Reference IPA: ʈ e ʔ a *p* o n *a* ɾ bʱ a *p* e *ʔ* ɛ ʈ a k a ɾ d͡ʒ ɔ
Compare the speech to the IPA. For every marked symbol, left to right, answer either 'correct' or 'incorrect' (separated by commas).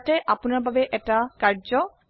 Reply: correct, correct, incorrect, correct